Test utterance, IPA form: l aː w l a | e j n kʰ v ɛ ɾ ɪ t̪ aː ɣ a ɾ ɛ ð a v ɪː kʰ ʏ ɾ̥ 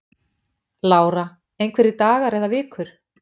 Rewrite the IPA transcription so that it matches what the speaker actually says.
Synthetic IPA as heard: l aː w ɾ a | e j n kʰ v ɛ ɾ ɪ t̪ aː ɣ a ɾ ɛ ð a v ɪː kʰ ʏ ɾ̥